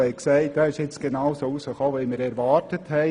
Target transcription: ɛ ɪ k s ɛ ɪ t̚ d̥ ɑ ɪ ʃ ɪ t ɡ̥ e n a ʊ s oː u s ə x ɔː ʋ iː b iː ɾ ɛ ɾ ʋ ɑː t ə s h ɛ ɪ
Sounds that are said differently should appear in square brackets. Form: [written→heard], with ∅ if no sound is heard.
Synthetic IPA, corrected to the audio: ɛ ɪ k s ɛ ɪ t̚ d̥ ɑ ɪ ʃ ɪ [t→t͡s] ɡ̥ e n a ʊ s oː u s ə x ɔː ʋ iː [b→m] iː ɾ ɛ ɾ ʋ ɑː t ə [s→t] h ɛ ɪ